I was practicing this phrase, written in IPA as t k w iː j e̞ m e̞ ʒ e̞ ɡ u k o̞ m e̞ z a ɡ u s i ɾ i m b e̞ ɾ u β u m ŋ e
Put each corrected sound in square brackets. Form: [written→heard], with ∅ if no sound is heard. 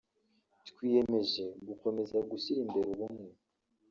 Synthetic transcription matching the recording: t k w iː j e̞ m e̞ ʒ e̞ ɡ u k o̞ m e̞ z a ɡ u s i ɾ i m b e̞ ɾ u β u m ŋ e